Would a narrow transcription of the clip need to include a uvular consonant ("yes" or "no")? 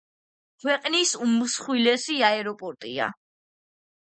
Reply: yes